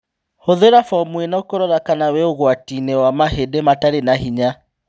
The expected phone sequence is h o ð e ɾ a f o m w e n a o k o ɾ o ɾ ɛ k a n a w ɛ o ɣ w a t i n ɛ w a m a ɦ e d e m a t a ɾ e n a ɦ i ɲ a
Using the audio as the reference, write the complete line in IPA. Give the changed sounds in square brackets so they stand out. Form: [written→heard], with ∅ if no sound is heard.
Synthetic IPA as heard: h o ð e ɾ a f [o→ɔ] m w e n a o k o ɾ [o→ɔ] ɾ [ɛ→a] k a n a w ɛ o ɣ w a t i n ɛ w a m a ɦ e d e m a t a ɾ e n a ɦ i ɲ a